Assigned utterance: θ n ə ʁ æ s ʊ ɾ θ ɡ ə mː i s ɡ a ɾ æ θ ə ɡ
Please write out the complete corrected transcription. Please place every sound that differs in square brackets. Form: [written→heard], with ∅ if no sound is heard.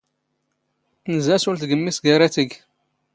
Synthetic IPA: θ n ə [ʁ→z] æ s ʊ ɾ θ ɡ ə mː i s ɡ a ɾ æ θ ə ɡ